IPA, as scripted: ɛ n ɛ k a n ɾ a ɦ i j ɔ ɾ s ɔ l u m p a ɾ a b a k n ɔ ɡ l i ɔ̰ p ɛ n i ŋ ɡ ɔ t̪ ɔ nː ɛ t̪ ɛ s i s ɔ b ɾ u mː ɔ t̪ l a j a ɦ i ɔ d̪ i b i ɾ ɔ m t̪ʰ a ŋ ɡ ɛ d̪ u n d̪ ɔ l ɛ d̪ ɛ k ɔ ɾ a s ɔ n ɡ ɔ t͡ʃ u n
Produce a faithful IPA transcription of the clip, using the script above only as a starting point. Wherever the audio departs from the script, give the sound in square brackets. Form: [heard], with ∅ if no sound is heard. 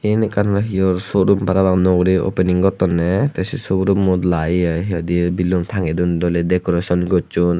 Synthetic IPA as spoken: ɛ n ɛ k a n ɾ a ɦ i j ɔ ɾ s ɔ [ɾ] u m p a ɾ a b a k n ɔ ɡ [ɾ] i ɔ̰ p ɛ n i ŋ ɡ ɔ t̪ ɔ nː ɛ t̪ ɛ s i s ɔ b ɾ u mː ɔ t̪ l a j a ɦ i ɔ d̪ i b i [l] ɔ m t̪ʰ a ŋ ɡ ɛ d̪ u n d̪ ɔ l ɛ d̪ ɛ k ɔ ɾ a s ɔ n ɡ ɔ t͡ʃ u n